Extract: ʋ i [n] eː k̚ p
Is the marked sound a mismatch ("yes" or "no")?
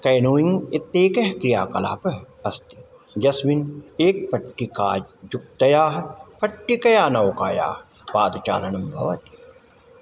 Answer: no